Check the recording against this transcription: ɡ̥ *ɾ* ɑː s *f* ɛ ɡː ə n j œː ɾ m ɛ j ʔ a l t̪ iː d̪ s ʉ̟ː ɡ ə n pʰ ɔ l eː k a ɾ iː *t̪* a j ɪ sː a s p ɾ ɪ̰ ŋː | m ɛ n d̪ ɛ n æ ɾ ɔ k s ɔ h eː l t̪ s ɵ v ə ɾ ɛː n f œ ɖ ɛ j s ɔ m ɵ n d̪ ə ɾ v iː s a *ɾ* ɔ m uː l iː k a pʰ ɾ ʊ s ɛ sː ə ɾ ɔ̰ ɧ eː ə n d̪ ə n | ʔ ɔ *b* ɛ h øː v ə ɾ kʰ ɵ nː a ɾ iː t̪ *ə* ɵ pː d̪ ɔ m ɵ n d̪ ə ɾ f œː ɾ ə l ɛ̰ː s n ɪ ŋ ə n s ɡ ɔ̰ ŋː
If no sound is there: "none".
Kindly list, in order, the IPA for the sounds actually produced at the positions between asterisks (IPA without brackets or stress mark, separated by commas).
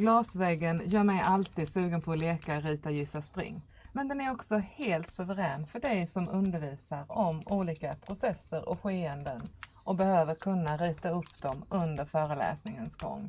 l, v, t̪, ɾ, b, a